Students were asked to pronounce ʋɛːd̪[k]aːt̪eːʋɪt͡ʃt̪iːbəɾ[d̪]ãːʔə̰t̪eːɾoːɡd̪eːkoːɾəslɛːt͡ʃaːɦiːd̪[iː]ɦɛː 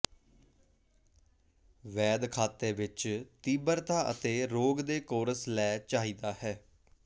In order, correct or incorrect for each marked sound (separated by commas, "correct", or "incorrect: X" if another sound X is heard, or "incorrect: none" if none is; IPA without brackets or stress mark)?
incorrect: kʰ, incorrect: t̪, incorrect: aː